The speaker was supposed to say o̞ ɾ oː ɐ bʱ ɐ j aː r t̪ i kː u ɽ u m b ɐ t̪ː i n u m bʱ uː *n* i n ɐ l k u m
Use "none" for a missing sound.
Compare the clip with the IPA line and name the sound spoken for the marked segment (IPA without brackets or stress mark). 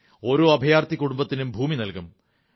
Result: m